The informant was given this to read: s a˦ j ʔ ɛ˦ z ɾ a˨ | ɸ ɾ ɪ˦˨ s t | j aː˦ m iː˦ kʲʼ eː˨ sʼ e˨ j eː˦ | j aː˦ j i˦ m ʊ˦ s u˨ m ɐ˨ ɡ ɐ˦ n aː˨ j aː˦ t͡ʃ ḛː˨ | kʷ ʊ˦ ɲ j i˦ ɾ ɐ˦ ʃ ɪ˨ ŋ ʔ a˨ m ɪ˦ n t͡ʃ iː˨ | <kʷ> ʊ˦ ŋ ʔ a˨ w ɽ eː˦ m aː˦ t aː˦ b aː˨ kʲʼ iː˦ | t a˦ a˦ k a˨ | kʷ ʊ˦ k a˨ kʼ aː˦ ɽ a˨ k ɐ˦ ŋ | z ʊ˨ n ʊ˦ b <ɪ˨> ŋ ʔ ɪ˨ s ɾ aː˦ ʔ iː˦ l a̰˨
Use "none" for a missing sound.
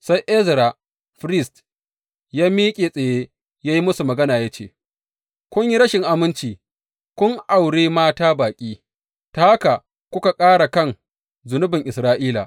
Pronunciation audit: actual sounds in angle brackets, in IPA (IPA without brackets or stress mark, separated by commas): kʷ, ɪ˨